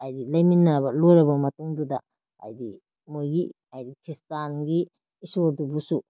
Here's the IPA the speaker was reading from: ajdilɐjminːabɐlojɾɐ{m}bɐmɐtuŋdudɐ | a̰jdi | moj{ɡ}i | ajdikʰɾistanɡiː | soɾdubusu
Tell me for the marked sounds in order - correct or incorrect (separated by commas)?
incorrect, correct